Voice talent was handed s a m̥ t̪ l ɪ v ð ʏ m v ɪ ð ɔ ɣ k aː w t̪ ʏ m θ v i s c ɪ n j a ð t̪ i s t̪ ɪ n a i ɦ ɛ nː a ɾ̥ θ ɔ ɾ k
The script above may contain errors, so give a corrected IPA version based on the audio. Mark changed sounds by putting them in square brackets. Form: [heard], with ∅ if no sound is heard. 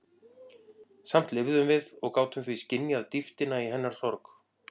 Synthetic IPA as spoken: s a m̥ t̪ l ɪ v ð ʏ m v ɪ ð ɔ ɣ k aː w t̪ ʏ m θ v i s c ɪ n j a ð t̪ i [f] t̪ ɪ n a i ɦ ɛ nː a ɾ̥ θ ɔ ɾ k